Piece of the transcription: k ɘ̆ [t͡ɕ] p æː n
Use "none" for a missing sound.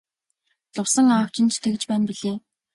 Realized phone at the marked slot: t͡ɕ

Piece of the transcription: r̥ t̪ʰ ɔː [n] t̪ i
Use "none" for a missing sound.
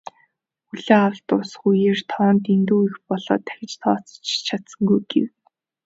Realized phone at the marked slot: n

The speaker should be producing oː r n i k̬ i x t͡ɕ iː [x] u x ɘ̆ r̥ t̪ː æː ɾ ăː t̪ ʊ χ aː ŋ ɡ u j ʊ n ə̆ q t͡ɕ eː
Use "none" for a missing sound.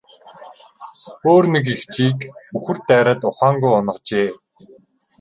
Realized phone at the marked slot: k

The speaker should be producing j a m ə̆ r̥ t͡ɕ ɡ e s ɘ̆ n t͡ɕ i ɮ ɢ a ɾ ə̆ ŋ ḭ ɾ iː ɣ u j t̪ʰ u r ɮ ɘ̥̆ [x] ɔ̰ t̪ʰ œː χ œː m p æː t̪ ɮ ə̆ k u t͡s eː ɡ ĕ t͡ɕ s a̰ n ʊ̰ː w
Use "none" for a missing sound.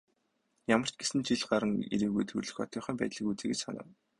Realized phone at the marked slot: x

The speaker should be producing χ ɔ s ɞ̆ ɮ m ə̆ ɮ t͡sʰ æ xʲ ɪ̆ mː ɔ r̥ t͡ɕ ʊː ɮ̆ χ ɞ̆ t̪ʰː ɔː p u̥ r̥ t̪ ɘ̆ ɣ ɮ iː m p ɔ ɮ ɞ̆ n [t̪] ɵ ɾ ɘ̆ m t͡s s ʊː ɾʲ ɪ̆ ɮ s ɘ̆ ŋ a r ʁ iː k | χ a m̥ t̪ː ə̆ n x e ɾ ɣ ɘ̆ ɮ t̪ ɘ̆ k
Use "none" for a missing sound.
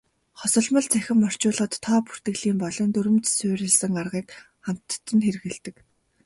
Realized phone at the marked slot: t̪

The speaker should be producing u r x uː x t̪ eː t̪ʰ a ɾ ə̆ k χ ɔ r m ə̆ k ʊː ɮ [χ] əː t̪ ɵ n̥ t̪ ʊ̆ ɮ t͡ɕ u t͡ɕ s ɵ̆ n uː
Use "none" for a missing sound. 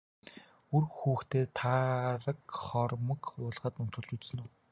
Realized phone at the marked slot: ʁ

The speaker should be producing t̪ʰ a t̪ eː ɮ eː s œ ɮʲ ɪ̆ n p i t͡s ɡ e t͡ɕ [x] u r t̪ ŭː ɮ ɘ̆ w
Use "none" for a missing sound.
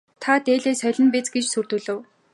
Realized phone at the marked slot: s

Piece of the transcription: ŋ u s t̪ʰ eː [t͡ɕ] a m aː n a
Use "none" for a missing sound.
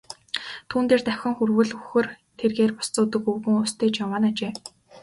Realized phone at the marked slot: t͡ɕ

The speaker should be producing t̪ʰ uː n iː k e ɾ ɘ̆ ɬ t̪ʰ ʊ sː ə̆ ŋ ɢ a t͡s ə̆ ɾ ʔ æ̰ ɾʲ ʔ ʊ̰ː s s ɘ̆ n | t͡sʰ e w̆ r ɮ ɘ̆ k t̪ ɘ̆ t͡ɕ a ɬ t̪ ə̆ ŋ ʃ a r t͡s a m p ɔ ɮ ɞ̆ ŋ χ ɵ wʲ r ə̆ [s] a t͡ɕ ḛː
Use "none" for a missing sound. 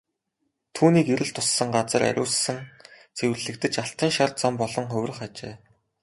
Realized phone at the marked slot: χ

